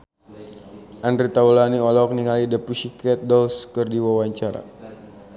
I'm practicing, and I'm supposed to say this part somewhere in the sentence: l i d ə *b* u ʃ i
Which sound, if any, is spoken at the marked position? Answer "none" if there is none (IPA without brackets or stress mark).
p